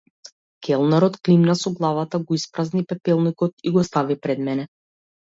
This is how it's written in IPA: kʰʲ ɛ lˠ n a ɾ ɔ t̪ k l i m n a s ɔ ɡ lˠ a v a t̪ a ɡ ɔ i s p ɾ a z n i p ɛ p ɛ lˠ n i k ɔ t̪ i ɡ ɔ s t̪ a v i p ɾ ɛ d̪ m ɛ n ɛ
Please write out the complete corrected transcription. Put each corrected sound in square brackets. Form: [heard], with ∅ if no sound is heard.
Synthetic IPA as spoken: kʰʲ ɛ lˠ n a ɾ ɔ t̪ k l i m n a s ɔ ɡ lˠ a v a t̪ a ɡ ɔ i s p ɾ a z n i p ɛ p ɛ lˠ n i k ɔ t̪ i ɡ ɔ s t̪ a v i p ɾ ɛ d̪ m ɛ n ɛ